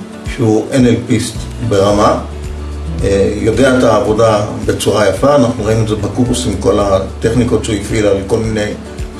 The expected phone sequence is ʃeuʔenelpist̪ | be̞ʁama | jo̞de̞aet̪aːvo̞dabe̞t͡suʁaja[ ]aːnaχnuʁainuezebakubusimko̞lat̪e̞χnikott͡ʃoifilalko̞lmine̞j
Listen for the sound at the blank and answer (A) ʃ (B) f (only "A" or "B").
B